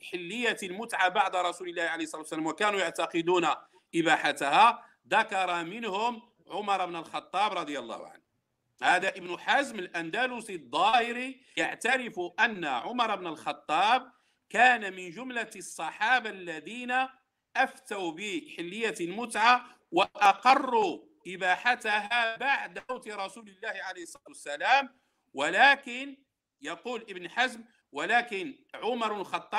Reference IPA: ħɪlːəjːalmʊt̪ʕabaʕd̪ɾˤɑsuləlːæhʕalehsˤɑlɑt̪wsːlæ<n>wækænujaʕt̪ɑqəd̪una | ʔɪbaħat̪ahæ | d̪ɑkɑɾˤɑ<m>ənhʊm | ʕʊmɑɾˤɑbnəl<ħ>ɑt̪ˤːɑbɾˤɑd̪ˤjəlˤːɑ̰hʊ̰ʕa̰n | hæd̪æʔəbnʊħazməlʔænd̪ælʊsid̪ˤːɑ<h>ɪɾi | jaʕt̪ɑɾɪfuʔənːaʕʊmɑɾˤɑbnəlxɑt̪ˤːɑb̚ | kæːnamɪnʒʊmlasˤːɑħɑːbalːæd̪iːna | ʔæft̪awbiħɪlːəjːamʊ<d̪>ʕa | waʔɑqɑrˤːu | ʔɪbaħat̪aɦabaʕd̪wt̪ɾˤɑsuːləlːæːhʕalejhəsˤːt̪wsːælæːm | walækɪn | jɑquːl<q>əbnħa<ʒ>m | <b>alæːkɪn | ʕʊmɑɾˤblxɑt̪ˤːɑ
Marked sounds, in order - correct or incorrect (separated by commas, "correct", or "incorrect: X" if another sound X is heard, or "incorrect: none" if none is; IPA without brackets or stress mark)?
incorrect: m, correct, incorrect: x, correct, incorrect: t̪, incorrect: ʔ, incorrect: z, incorrect: w